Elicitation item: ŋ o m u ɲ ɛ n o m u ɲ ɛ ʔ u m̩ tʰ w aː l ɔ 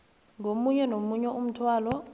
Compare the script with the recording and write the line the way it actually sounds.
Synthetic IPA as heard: ŋ o m u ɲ ɛ n o m u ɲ ɛ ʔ u m̩ tʰ w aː l ɔ